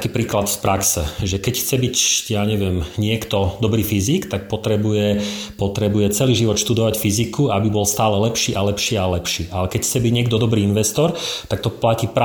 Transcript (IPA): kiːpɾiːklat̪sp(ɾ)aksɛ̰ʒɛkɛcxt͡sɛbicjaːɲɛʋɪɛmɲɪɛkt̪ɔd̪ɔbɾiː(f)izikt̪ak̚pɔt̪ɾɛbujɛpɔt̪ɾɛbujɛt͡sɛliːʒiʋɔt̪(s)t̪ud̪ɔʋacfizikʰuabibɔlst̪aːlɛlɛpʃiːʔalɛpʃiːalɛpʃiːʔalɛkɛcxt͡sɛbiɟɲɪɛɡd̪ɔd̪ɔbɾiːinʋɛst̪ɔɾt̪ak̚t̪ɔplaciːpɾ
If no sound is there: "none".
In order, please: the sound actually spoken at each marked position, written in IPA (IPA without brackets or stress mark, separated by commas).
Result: ɾ, f, ʃ